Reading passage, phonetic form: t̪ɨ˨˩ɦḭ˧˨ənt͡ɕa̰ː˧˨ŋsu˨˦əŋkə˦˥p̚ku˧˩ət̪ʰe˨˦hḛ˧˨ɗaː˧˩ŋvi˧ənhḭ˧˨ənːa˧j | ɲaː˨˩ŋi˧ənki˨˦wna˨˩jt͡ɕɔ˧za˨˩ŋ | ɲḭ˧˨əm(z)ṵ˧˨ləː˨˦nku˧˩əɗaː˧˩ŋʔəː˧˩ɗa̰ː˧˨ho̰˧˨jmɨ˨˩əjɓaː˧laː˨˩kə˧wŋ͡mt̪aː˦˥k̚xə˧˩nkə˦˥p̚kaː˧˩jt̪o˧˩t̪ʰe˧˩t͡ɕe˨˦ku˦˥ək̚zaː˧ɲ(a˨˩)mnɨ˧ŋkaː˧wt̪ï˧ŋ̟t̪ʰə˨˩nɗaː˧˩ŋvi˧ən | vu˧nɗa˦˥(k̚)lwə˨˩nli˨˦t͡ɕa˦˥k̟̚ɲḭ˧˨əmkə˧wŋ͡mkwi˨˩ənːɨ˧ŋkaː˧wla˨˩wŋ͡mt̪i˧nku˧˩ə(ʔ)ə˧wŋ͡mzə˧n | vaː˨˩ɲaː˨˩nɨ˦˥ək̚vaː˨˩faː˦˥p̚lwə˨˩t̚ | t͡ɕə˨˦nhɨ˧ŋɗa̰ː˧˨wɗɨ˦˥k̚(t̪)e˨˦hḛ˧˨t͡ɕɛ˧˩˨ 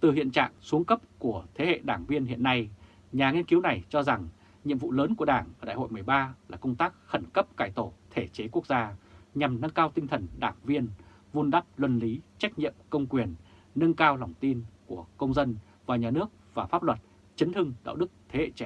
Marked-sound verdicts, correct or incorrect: incorrect: v, correct, incorrect: p̚, incorrect: k, incorrect: t̪ʰ

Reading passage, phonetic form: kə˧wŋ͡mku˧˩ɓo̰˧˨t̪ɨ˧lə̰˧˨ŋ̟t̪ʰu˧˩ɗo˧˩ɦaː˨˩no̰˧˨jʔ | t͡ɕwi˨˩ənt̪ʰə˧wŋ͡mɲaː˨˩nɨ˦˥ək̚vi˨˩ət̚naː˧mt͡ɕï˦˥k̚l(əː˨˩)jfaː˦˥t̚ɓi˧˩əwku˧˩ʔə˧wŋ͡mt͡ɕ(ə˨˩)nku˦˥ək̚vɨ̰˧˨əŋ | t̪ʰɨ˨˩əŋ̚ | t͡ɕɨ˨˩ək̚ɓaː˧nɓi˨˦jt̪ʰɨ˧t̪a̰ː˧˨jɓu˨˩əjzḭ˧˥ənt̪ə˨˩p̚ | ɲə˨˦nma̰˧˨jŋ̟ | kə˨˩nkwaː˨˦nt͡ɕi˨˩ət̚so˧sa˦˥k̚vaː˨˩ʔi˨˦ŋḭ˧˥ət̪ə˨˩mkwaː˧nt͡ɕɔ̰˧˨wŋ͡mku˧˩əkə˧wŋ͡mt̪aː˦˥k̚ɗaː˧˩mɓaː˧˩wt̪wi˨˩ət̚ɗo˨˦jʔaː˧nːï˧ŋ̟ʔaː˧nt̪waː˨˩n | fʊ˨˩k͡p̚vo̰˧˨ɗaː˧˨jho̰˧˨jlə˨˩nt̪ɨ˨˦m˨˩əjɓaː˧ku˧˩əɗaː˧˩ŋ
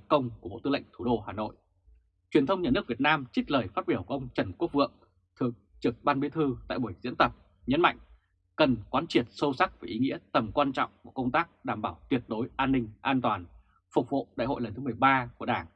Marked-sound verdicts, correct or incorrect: correct, correct

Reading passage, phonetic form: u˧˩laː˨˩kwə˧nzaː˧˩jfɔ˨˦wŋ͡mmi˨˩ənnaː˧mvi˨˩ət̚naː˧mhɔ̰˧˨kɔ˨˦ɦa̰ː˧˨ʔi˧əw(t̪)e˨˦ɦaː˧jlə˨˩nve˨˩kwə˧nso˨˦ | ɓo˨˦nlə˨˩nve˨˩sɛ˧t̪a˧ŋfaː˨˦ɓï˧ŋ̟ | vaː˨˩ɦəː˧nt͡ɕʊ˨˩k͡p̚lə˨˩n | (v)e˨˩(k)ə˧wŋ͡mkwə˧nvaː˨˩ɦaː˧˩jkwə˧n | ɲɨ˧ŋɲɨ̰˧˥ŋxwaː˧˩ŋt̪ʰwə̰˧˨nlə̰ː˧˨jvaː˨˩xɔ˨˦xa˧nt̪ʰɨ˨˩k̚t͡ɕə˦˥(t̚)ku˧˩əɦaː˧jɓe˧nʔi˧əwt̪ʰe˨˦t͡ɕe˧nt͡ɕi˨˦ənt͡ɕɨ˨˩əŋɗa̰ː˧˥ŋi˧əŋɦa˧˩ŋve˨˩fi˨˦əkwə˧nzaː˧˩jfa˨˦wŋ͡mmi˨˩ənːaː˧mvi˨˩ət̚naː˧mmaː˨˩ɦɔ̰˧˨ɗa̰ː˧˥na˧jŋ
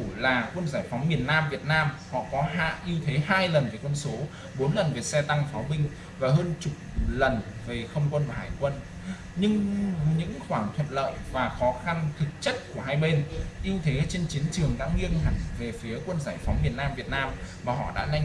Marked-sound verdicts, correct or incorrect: incorrect: t̪ʰ, correct, incorrect: x, correct

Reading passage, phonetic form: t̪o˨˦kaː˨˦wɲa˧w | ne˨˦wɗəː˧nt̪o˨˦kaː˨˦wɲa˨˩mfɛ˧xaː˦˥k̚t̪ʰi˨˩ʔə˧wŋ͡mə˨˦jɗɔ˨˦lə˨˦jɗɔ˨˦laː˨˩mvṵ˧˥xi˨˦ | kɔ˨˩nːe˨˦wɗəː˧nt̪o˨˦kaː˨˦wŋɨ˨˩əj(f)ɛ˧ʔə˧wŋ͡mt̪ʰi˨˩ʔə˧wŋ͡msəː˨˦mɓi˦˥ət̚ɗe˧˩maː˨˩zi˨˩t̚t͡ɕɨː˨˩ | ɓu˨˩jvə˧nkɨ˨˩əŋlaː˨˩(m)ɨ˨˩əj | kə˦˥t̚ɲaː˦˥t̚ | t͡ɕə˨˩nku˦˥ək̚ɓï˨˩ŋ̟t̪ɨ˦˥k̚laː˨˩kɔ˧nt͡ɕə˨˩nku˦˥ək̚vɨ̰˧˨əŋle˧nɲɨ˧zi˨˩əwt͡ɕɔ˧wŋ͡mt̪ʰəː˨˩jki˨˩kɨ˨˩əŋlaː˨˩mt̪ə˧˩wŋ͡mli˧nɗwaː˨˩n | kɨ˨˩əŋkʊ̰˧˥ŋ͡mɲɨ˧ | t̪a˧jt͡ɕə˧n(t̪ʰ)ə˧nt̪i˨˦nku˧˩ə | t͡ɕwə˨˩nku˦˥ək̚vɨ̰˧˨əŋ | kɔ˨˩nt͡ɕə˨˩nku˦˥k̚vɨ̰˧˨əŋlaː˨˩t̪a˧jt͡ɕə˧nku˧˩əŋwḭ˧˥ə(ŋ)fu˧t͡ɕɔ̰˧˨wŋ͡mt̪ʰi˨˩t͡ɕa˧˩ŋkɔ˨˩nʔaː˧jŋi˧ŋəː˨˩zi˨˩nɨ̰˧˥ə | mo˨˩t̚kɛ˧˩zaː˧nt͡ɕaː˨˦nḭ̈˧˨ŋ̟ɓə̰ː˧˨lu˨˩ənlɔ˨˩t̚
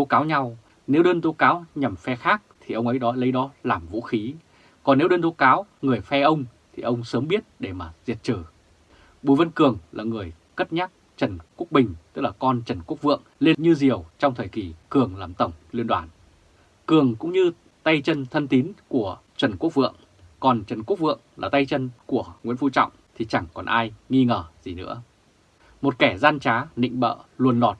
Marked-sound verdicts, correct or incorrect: correct, incorrect: ŋ, correct, incorrect: n

